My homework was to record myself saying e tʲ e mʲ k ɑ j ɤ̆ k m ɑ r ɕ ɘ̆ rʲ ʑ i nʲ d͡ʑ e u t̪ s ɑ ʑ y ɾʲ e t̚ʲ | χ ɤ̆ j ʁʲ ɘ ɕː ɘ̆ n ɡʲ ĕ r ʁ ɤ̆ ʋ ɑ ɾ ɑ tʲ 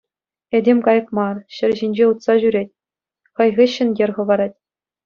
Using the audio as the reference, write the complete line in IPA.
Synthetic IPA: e dʲ e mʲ k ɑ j ɤ̆ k m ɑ r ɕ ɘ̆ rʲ ʑ i nʲ d͡ʑ e u t̪ s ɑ ʑ y ɾʲ e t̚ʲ | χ ɤ̆ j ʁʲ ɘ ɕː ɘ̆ n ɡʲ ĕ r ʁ ɤ̆ ʋ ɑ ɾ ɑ tʲ